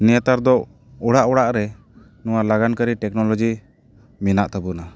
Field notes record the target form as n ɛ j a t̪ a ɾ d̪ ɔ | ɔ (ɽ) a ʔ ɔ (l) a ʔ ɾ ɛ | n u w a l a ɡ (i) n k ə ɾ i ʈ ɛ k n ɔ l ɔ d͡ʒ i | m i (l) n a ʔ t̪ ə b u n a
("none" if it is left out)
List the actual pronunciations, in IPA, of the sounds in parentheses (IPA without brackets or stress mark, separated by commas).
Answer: ɽ, ɽ, a, none